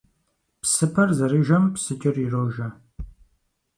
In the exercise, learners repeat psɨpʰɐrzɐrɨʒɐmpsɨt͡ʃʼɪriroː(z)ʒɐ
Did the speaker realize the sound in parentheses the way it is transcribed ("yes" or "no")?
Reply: no